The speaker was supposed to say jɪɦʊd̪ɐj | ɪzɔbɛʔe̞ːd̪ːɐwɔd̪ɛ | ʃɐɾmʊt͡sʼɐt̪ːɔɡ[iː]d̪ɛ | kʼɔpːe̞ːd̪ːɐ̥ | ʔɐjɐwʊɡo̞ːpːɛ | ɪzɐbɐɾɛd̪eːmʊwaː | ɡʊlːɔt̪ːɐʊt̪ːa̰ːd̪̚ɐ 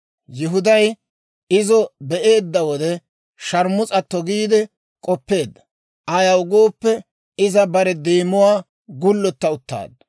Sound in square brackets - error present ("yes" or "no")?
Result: no